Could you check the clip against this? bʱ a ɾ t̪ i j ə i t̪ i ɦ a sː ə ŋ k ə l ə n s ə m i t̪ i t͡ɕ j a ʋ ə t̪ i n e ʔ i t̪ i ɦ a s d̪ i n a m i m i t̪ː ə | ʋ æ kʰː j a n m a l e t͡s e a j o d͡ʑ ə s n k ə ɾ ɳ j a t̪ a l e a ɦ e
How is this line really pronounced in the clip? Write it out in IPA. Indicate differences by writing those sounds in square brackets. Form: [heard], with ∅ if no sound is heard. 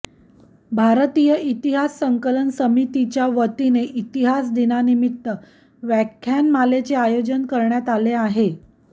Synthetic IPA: bʱ a ɾ t̪ i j ə i t̪ i ɦ a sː ə ŋ k ə l ə n s ə m i t̪ i t͡ɕ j a ʋ ə t̪ i n e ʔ i t̪ i ɦ a s d̪ i n a [n] i m i t̪ː ə | ʋ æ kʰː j a n m a l e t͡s e a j o d͡ʑ ə [∅] n k ə ɾ ɳ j a t̪ a l e a ɦ e

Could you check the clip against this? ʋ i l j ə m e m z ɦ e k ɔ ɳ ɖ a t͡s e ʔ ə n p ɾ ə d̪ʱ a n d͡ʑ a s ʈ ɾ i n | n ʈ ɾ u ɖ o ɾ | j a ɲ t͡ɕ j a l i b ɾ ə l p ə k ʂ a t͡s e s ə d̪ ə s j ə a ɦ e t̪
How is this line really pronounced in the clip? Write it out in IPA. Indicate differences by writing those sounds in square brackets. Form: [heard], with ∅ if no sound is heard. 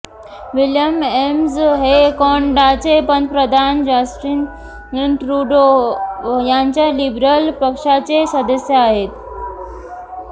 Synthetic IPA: ʋ i l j ə m e m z ɦ e k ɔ ɳ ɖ a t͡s e [p] ə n p ɾ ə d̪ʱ a n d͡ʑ a s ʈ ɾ i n | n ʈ ɾ u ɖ o [∅] | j a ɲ t͡ɕ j a l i b ɾ ə l p ə k ʂ a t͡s e s ə d̪ ə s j ə a ɦ e t̪

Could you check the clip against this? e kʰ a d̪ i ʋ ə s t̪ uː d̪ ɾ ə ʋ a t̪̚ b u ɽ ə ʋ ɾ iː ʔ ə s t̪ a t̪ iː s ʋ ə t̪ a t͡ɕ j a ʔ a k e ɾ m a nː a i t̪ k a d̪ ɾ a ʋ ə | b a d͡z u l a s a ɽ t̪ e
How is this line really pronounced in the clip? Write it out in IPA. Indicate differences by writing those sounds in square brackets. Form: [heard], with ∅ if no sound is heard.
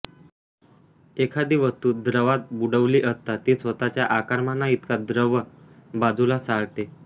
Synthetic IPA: e kʰ a d̪ i ʋ ə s t̪ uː d̪ ɾ ə ʋ a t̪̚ b u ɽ ə ʋ [l] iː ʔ ə s t̪ a t̪ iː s ʋ ə t̪ a t͡ɕ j a ʔ a k [a] ɾ m a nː a i t̪ k a d̪ ɾ [ə] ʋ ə | b a d͡z u l a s a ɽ t̪ e

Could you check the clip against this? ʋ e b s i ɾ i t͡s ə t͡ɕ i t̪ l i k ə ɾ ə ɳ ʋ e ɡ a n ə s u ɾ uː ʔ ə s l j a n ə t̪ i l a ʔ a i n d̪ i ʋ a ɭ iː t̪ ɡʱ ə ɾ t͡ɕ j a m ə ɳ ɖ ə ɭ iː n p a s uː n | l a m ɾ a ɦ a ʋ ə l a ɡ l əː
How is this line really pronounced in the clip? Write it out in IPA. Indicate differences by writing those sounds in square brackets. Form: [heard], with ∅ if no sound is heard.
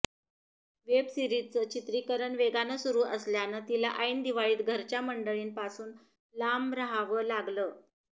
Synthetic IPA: ʋ e b s i ɾ i t͡s ə t͡ɕ i t̪ [ɾ] i k ə ɾ ə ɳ ʋ e ɡ a n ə s u ɾ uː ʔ ə s l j a n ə t̪ i l a ʔ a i n d̪ i ʋ a ɭ iː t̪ ɡʱ ə ɾ t͡ɕ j a m ə ɳ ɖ ə ɭ iː n p a s uː n | l a m ɾ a ɦ a ʋ ə l a ɡ l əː

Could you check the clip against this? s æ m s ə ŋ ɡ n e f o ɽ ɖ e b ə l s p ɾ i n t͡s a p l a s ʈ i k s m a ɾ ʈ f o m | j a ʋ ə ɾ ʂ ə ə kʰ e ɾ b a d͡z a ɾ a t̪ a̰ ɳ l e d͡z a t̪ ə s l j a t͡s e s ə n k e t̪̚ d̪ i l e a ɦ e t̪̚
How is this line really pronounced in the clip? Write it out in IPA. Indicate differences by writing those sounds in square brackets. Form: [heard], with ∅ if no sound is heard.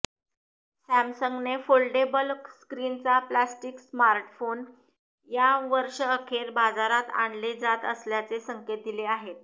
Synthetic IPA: s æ m s ə ŋ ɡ n e f o [l] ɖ e b ə l s [k] ɾ i n t͡s a p l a s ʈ i k s m a ɾ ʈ f o [n] | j a ʋ ə ɾ ʂ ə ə kʰ e ɾ b a d͡z a ɾ a t̪ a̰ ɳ l e d͡z a t̪ ə s l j a t͡s e s ə [ŋ] k e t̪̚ d̪ i l e a ɦ e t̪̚

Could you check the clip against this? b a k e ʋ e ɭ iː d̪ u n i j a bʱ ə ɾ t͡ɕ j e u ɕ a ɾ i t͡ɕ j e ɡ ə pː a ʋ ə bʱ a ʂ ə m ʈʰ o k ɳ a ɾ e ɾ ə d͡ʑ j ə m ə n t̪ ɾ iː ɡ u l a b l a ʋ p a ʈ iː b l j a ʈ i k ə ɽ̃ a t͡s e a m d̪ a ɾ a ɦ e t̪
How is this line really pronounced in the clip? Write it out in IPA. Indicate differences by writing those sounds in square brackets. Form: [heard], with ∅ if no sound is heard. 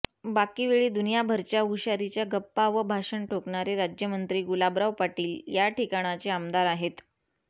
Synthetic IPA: b a k [i] ʋ e ɭ iː d̪ u n i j a bʱ ə ɾ t͡ɕ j [a] u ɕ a ɾ i t͡ɕ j [a] ɡ ə pː a ʋ ə bʱ a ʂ ə [ɳ] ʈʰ o k ɳ a ɾ e ɾ [a] d͡ʑ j ə m ə n t̪ ɾ iː ɡ u l a b [ɾ] a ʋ p a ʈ iː [∅] l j a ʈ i k [a] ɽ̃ a t͡s e a m d̪ a ɾ a ɦ e t̪

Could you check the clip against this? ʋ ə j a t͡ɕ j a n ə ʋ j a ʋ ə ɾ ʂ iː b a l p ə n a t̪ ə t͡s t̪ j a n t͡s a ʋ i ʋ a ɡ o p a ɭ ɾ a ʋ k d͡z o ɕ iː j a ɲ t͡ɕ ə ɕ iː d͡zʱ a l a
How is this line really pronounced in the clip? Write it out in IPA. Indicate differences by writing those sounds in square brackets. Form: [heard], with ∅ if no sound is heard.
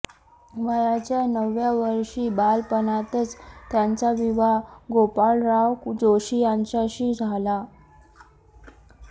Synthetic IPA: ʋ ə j a t͡ɕ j a n ə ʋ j a ʋ ə ɾ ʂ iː b a l p ə n a t̪ ə t͡s t̪ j a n t͡s a ʋ i ʋ a ɡ o p a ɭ ɾ a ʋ k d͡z o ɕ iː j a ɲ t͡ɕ [a] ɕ iː d͡zʱ a l a

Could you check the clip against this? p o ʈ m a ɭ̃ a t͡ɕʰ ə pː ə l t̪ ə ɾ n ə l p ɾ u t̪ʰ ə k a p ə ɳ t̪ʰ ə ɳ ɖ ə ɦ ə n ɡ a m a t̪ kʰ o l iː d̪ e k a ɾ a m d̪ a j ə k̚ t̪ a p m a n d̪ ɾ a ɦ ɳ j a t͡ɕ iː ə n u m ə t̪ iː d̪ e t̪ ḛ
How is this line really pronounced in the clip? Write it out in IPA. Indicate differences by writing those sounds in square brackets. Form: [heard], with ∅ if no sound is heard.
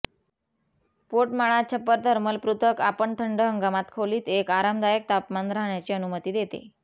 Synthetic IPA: p o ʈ m a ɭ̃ a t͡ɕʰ ə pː ə [ɾ] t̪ ə ɾ [m] ə l p ɾ u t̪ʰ ə k a p ə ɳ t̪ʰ ə ɳ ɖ ə ɦ ə [ŋ] ɡ a m a t̪ kʰ o l iː [t̪] e k a ɾ a m d̪ a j ə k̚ t̪ a p m a n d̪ ɾ a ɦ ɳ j a t͡ɕ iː ə n u m ə t̪ iː d̪ e t̪ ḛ

